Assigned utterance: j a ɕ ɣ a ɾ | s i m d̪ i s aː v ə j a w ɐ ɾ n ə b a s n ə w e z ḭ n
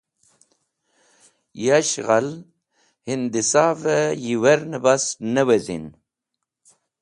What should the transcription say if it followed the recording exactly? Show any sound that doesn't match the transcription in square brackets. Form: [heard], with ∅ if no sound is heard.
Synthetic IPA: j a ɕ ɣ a [l] | [h] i [n] d̪ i s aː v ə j [i] w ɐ ɾ n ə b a s n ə w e z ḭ n